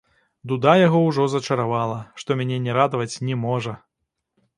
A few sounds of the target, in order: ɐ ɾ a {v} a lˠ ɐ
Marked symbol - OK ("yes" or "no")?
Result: yes